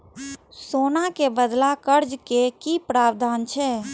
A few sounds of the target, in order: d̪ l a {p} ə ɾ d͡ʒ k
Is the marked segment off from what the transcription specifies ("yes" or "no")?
yes